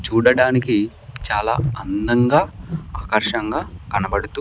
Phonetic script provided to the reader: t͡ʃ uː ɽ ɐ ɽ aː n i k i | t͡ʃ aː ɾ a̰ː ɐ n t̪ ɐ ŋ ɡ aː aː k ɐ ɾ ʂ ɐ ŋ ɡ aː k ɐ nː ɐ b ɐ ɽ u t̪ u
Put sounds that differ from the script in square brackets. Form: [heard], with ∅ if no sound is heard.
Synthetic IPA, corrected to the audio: t͡ʃ uː ɽ ɐ ɽ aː n i k i | t͡ʃ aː [l] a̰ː ɐ n [d̪] ɐ ŋ ɡ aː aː k ɐ ɾ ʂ ɐ ŋ ɡ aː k ɐ [n] ɐ b ɐ ɽ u t̪ u